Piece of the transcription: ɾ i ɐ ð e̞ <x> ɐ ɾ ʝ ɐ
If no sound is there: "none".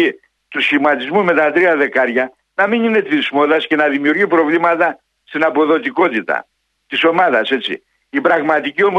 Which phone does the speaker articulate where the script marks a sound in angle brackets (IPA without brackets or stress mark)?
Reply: k